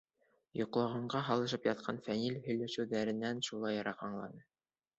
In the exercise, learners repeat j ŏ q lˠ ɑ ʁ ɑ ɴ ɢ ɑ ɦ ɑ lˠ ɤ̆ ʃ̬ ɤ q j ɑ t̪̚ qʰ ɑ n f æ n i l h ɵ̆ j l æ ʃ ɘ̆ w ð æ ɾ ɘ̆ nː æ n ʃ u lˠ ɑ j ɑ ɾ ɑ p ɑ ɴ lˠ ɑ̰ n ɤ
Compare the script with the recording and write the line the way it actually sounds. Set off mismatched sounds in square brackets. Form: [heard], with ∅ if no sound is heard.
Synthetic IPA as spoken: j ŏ q lˠ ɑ ʁ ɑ ɴ ɢ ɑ ɦ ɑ lˠ ɤ̆ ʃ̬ ɤ [p] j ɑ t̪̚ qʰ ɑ n f æ n i l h ɵ̆ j l æ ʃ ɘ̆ w ð æ ɾ ɘ̆ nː æ n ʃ u lˠ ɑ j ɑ ɾ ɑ [q] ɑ ɴ lˠ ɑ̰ n ɤ